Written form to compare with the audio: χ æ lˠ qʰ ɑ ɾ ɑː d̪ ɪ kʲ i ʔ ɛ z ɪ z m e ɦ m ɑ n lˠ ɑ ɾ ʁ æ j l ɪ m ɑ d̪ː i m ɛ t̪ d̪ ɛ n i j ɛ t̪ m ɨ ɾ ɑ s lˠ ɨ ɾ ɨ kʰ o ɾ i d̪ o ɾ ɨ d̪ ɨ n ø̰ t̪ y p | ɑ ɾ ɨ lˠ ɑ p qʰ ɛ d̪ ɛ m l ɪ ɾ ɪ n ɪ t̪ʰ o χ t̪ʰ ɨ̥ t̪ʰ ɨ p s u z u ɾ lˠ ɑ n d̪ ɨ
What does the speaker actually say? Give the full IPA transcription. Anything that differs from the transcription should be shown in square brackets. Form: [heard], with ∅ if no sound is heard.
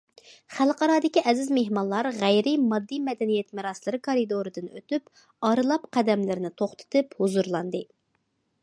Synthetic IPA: χ æ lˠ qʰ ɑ ɾ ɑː d̪ ɪ kʲ i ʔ ɛ z ɪ z m e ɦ m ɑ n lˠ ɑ ɾ ʁ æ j [ɾ] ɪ m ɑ d̪ː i m ɛ [∅] d̪ ɛ n i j ɛ t̪ m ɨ ɾ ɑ s lˠ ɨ ɾ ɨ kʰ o ɾ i d̪ o ɾ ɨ d̪ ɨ n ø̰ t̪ y p | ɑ ɾ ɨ lˠ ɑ p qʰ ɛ d̪ ɛ m l ɪ ɾ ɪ n ɪ t̪ʰ o χ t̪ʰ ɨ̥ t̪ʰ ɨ p [h] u z u ɾ lˠ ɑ n d̪ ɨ